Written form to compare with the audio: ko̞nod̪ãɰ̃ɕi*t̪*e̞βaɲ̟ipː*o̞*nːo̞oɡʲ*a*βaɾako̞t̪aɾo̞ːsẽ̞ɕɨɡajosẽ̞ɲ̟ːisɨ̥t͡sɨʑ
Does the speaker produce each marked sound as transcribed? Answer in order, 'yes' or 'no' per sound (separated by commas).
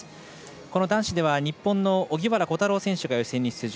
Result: no, no, no